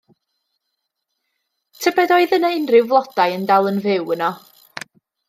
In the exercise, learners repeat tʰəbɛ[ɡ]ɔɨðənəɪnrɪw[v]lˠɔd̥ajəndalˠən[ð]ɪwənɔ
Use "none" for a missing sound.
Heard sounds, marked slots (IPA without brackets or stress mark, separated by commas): d, v, v